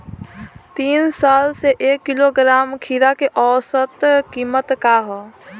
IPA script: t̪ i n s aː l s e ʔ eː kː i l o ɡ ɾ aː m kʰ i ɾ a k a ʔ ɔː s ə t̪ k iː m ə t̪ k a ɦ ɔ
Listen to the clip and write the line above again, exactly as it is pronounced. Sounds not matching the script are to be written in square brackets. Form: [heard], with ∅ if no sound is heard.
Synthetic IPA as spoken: t̪ [iː] n s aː l s e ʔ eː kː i l o ɡ ɾ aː m kʰ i ɾ a k [e] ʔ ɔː s ə t̪ k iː m ə t̪ k a ɦ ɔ

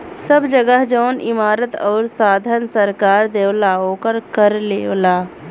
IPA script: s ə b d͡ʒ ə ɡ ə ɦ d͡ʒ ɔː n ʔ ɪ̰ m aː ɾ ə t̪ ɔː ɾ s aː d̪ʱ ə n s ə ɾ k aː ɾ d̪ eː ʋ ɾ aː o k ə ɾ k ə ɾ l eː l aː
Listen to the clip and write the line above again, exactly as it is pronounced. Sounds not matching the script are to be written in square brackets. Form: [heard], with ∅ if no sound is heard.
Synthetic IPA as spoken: s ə b d͡ʒ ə ɡ ə ɦ d͡ʒ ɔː n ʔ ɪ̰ m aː ɾ ə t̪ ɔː ɾ s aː d̪ʱ ə n s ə ɾ k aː ɾ d̪ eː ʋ [l] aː o k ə ɾ k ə ɾ l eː l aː

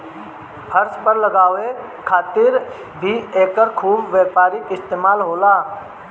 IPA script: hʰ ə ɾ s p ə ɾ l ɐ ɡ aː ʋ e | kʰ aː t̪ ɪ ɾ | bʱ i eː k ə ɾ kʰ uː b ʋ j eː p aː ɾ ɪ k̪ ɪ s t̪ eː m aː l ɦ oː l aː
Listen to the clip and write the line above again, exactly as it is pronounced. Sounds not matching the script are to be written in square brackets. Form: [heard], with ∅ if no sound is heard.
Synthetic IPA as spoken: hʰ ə ɾ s p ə ɾ l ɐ ɡ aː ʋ e | kʰ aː t̪ ɪ ɾ | bʱ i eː k ə ɾ kʰ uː b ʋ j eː p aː ɾ ɪ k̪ ɪ s t̪ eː m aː l ɦ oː l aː

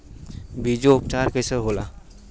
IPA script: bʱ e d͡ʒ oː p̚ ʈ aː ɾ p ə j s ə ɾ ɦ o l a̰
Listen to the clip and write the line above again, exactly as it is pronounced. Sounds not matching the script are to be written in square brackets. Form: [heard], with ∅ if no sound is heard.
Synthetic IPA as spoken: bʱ [i] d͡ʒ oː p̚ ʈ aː ɾ [k] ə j s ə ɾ ɦ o l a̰

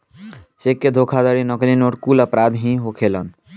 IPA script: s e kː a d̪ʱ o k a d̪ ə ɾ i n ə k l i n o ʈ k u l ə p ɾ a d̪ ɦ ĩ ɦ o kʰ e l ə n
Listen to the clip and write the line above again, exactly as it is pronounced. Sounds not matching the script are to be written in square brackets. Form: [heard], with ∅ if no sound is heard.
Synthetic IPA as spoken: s e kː [e] d̪ʱ o [kʰ] a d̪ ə ɾ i n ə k l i n o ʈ k u l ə p ɾ a d̪ ɦ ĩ ɦ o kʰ e l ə n

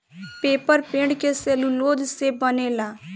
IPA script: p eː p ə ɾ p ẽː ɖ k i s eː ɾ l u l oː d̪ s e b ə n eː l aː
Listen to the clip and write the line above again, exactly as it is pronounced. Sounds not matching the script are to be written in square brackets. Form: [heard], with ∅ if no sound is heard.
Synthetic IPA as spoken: p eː p ə ɾ p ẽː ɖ k [e] s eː [∅] l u l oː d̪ s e b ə n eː l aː

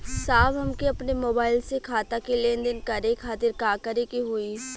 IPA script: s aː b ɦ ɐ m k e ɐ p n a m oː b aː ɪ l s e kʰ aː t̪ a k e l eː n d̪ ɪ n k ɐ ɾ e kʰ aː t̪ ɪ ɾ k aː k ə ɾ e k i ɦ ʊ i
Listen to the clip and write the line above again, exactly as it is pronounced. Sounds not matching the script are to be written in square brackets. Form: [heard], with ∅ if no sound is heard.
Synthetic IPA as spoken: s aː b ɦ ɐ m k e ɐ p n [e] m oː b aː ɪ l s e kʰ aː t̪ a k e l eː n d̪ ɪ n k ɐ ɾ e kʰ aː t̪ ɪ ɾ k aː k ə ɾ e k i ɦ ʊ i

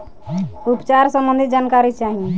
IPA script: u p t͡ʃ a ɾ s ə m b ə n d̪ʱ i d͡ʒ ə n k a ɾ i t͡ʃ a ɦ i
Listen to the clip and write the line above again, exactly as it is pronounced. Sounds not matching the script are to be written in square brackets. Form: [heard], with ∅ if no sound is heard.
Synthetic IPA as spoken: u p t͡ʃ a ɾ s ə m b ə n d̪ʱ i d͡ʒ [a] n k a ɾ i t͡ʃ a ɦ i

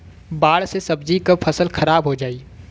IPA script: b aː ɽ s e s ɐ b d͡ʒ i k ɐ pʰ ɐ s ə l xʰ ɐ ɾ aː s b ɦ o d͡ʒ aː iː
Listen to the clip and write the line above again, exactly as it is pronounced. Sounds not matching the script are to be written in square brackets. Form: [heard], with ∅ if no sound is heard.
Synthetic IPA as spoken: b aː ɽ s e s ɐ b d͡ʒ i k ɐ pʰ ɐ s ə l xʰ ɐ ɾ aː [∅] b ɦ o d͡ʒ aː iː

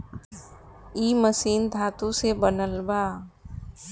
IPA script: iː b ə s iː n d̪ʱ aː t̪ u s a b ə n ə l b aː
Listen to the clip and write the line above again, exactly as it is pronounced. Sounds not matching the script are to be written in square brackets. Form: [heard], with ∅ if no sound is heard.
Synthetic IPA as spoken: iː [m] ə s iː n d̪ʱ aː t̪ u s [e] b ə n ə l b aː

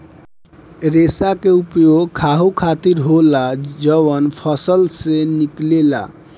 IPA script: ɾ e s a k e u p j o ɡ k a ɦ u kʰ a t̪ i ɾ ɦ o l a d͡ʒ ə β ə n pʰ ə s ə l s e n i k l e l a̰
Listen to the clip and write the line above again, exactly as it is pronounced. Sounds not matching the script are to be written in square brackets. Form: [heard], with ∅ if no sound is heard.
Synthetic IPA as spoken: ɾ e s a k e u p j o ɡ [kʰ] a ɦ u kʰ a t̪ i ɾ ɦ o l a d͡ʒ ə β ə n pʰ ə s ə l s e n i k l e l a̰

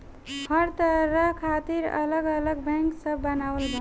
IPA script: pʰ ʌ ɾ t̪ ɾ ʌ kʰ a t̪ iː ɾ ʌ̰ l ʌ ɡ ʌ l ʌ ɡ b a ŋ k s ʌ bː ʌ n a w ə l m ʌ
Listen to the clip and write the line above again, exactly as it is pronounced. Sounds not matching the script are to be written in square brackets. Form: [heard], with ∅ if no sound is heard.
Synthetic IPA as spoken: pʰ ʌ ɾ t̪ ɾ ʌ kʰ a t̪ [i] ɾ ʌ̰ l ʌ ɡ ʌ l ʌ ɡ b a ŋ k s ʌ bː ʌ n a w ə l [b] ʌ

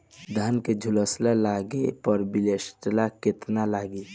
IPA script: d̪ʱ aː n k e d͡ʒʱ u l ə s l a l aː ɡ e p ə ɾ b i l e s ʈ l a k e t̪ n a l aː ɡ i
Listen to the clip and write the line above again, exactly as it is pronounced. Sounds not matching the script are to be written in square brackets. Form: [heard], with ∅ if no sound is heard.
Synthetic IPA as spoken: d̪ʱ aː n k e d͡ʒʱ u l ə s l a l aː ɡ e p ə ɾ b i l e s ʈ l a k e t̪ n a l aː ɡ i

